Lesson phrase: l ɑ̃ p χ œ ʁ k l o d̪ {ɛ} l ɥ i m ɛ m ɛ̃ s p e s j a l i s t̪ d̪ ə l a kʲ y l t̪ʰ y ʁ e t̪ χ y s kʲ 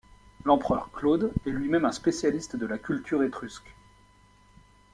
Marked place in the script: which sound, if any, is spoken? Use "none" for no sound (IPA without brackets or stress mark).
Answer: ɛ